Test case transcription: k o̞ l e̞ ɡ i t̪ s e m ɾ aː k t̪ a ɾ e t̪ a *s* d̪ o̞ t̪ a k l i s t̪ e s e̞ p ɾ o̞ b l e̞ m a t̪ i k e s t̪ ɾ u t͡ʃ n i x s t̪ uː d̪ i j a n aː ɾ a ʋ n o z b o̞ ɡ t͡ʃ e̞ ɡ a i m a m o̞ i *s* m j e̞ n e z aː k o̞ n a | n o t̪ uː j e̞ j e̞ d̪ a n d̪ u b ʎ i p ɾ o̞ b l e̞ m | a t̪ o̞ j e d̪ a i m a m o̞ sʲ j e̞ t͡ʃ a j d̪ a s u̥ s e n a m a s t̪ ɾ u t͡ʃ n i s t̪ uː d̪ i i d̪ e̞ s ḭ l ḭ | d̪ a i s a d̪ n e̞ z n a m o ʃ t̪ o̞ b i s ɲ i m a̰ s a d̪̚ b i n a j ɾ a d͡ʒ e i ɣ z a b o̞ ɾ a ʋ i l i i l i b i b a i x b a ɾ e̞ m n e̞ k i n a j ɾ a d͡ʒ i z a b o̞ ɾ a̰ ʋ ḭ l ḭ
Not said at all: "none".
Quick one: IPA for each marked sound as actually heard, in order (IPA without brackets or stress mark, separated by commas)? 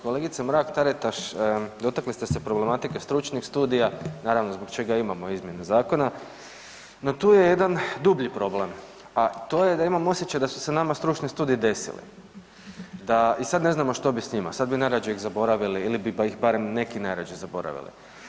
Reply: ʃ, z